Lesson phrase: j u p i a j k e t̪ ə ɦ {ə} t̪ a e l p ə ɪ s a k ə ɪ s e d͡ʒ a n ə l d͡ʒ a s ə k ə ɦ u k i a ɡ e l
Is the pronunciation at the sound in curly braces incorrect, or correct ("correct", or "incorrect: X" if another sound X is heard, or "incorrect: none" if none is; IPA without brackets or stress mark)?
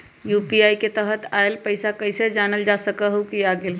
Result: correct